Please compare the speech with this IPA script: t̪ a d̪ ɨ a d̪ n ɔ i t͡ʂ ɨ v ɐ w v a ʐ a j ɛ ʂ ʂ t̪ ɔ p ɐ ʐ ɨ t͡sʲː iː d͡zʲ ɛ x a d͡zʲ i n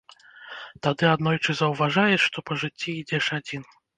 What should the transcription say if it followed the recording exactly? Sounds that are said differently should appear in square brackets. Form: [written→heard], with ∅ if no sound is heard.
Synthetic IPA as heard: t̪ a d̪ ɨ a d̪ n ɔ [i→j] t͡ʂ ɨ [v→z] ɐ w v a ʐ a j ɛ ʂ ʂ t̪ ɔ p ɐ ʐ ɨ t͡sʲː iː d͡zʲ ɛ [x→ʂ] a d͡zʲ i n